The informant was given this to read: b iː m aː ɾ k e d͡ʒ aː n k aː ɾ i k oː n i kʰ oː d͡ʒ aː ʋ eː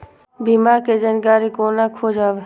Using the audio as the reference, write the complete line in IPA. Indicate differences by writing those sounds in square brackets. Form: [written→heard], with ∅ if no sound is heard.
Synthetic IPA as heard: b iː m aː ɾ k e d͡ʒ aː n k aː ɾ i k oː n [i→a] kʰ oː d͡ʒ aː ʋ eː